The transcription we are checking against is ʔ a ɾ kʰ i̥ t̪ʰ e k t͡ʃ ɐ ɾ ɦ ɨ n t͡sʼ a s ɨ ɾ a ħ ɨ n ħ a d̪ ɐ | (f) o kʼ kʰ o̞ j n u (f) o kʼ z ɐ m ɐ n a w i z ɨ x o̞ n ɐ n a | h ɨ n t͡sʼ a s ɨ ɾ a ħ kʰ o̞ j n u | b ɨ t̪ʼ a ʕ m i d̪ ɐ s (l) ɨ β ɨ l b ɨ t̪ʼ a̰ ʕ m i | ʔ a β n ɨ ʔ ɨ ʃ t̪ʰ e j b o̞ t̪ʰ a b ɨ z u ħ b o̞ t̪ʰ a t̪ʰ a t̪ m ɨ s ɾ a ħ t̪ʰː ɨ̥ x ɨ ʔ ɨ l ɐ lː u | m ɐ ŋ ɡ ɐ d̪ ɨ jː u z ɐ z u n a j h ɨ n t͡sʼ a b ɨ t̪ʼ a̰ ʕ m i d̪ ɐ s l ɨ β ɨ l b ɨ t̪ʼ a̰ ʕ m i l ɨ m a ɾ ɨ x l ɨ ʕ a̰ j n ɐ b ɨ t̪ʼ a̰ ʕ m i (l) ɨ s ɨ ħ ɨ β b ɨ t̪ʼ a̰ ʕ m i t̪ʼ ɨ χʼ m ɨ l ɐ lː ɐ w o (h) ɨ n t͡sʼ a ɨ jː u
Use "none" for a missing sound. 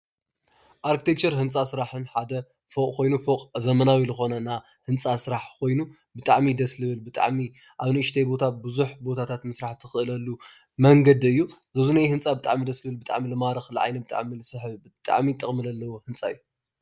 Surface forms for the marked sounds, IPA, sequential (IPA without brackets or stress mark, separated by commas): f, f, l, l, h